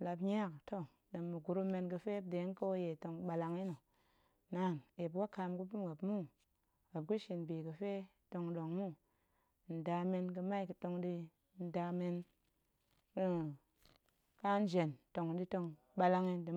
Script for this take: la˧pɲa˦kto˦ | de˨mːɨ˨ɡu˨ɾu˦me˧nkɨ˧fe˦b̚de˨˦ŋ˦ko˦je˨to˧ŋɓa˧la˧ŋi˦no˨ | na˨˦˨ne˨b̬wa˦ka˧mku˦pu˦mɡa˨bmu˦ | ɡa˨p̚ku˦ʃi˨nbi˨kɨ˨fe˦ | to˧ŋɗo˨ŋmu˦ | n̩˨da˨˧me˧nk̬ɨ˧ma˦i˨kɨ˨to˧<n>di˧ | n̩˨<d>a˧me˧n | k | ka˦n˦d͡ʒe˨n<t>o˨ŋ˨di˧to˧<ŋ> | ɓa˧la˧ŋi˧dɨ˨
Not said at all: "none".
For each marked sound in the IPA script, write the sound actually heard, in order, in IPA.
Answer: ŋ, d, t, ŋ

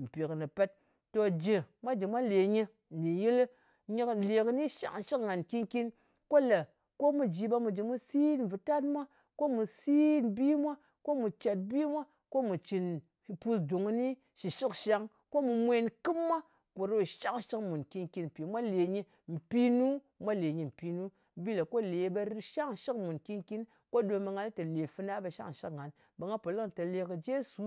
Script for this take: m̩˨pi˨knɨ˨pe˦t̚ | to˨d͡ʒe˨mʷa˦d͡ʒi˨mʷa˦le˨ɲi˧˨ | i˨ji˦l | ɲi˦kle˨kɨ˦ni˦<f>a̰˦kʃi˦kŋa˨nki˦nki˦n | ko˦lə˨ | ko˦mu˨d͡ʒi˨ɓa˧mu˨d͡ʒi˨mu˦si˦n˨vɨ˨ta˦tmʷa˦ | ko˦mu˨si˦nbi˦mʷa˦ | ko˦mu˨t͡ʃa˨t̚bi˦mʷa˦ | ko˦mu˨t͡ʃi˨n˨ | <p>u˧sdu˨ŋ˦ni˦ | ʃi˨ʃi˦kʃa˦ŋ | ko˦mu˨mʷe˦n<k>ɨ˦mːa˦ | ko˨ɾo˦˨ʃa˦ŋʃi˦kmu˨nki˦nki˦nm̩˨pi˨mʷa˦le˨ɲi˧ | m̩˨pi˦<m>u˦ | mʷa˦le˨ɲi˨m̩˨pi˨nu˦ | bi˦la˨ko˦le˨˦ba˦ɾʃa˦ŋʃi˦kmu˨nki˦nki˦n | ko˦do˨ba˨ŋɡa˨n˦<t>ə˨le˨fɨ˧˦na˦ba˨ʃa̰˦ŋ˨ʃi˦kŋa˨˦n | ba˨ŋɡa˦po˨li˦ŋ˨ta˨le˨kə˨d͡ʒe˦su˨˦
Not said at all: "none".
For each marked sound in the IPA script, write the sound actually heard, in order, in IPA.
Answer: ʃ, p, k, n, t

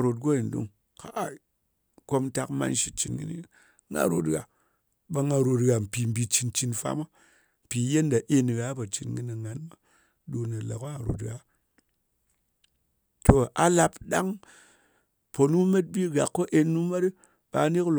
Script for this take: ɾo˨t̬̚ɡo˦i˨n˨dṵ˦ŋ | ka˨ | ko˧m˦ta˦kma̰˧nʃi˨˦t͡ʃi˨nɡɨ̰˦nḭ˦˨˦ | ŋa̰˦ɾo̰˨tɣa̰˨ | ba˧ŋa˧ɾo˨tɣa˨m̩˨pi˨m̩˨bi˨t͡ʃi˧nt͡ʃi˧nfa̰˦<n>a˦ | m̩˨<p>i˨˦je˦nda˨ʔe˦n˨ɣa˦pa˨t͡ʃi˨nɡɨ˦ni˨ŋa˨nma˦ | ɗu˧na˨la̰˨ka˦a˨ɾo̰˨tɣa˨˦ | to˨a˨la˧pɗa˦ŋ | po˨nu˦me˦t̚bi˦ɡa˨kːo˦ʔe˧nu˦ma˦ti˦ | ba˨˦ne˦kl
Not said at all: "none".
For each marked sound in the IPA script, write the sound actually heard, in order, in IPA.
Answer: m, p

